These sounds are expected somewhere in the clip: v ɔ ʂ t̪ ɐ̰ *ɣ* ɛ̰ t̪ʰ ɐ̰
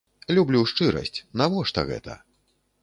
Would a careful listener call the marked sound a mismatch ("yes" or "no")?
no